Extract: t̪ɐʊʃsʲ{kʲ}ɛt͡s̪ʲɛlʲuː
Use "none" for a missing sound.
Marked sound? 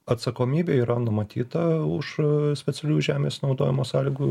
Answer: pʲ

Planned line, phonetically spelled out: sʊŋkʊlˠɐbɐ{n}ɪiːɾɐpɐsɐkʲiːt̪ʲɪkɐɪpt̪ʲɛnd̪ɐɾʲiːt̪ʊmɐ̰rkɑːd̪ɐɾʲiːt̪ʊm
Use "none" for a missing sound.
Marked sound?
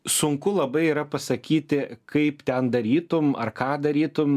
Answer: none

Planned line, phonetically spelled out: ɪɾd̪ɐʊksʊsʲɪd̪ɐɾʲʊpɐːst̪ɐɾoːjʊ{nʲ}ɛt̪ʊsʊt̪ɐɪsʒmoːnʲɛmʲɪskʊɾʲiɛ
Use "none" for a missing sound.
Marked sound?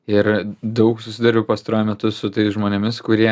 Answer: mʲ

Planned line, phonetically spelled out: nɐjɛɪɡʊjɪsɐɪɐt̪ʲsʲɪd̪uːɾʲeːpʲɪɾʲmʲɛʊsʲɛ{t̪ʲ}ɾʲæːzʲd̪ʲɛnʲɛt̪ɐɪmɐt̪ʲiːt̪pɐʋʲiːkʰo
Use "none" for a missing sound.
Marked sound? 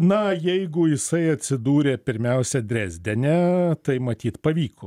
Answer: d̪ʲ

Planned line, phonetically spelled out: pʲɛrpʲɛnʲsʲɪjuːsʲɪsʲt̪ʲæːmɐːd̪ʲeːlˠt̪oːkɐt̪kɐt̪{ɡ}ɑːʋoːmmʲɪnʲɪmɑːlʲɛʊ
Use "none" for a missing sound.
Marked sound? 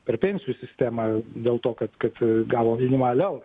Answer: ɡ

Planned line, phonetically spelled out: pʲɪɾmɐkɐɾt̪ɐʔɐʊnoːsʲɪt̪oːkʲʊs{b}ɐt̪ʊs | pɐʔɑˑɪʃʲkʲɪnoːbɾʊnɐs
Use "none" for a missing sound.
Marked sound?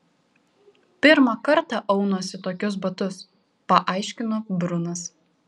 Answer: b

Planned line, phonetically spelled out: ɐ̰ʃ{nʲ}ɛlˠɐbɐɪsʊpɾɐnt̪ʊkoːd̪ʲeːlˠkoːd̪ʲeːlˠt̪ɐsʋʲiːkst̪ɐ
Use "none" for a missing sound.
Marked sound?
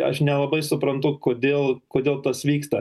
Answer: nʲ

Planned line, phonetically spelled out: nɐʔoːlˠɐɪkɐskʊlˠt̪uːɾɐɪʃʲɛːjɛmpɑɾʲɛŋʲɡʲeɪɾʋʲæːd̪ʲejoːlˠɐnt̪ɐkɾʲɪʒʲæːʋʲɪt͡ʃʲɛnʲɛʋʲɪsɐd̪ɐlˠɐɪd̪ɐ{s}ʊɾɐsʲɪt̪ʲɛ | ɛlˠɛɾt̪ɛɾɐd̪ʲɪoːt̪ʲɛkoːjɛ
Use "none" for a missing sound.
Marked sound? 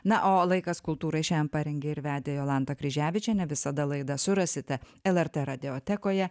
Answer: s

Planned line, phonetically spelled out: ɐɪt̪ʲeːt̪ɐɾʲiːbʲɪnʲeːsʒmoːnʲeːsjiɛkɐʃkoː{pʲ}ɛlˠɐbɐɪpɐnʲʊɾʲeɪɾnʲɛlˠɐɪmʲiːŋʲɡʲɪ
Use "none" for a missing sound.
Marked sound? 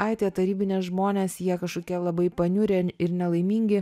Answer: kʲ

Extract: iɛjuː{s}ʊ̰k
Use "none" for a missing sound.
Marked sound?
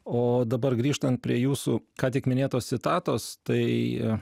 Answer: s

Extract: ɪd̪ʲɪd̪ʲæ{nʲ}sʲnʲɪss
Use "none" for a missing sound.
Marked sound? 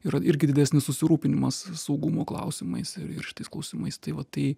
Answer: none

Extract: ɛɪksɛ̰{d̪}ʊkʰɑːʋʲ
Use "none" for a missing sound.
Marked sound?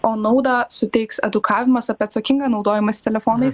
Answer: d̪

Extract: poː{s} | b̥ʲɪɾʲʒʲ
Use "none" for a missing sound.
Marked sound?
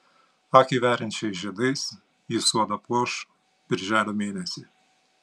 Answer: ʃ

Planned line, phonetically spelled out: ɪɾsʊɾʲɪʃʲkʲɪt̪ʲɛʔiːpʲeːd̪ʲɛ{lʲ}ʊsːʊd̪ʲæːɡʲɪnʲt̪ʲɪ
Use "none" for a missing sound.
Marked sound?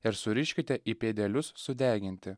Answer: lʲ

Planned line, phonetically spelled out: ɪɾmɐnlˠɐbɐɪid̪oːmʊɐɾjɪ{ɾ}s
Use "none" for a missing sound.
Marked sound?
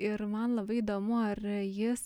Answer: none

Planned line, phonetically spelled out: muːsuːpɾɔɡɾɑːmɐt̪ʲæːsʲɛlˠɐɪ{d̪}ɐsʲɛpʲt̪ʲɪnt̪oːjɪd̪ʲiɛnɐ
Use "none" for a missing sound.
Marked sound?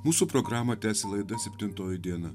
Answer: d̪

